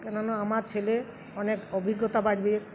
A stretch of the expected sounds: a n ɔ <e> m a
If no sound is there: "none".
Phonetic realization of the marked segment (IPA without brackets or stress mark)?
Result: a